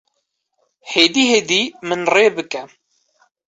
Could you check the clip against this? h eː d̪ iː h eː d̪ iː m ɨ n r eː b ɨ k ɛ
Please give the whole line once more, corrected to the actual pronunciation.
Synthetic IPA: h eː d̪ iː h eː d̪ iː m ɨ n r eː b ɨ k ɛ